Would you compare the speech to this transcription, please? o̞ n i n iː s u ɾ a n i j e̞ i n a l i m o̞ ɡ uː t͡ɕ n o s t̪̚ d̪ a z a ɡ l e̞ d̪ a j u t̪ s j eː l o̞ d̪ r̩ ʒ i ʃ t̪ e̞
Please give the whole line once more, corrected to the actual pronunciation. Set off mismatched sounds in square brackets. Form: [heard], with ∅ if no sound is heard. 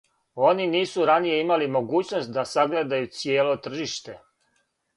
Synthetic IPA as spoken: o̞ n i n iː s u ɾ a n i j e̞ i [m] a l i m o̞ ɡ uː t͡ɕ n o s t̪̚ d̪ a [s] a ɡ l e̞ d̪ a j u t̪ s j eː l o̞ [t̪] r̩ ʒ i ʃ t̪ e̞